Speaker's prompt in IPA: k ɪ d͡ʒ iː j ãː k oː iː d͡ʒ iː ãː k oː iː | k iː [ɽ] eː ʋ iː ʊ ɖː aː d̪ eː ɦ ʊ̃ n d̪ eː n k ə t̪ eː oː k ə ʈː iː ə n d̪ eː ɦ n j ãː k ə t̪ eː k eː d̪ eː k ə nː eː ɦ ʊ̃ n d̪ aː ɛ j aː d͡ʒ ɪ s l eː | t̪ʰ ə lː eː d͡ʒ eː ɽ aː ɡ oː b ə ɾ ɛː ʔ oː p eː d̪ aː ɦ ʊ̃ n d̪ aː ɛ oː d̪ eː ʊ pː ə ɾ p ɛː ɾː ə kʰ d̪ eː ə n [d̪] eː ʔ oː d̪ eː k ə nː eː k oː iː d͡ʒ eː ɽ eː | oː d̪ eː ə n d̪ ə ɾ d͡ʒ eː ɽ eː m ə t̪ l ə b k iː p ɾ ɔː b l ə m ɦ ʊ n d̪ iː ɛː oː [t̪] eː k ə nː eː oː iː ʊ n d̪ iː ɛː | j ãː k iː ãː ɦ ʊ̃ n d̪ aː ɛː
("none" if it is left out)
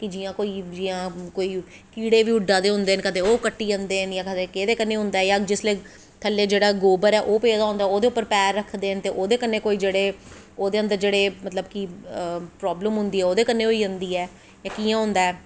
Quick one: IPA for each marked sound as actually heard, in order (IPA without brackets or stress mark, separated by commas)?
ɽ, t̪, d̪